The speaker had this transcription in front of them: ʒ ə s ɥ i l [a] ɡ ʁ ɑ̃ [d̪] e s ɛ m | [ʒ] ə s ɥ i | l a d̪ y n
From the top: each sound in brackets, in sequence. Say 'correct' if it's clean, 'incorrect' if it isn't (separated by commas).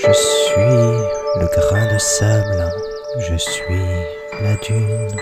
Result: incorrect, correct, correct